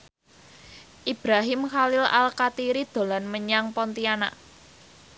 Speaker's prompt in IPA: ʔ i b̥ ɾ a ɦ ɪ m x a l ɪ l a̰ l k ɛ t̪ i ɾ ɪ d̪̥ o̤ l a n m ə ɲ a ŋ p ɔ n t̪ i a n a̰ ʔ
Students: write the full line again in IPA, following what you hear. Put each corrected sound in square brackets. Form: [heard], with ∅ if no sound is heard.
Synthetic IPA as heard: ʔ i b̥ ɾ a ɦ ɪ m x a l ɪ l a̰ l k [a] t̪ i ɾ [i] d̪̥ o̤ l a n m ə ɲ a ŋ p ɔ n t̪ i a n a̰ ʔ